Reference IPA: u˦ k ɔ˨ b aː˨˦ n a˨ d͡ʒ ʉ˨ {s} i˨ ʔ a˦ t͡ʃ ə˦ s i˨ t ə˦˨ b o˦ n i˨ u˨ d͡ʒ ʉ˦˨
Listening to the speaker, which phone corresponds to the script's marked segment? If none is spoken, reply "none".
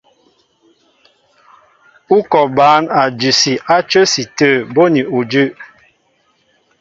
s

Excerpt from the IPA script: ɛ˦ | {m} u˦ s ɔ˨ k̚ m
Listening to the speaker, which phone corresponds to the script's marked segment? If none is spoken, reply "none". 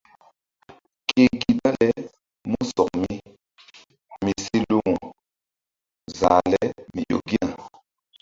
m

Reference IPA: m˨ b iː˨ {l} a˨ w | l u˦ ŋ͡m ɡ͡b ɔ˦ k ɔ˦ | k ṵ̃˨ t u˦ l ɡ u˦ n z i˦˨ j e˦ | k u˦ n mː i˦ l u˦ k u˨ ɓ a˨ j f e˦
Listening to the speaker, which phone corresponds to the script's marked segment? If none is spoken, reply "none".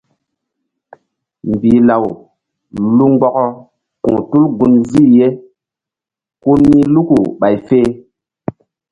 l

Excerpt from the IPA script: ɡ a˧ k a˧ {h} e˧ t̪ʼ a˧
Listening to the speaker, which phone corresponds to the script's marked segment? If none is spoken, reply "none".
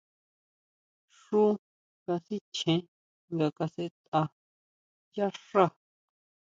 s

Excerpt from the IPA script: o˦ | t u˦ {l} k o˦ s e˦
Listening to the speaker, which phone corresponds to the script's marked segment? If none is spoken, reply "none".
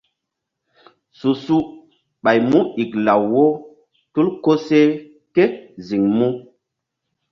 l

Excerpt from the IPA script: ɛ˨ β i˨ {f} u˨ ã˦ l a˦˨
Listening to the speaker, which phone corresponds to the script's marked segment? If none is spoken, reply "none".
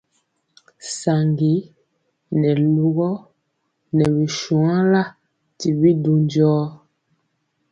ʃ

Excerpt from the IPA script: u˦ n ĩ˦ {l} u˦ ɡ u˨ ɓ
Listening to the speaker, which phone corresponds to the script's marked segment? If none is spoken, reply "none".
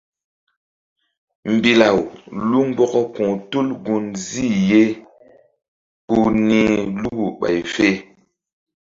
l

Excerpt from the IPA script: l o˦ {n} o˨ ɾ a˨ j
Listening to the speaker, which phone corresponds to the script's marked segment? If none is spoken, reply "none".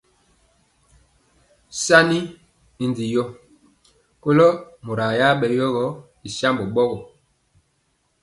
m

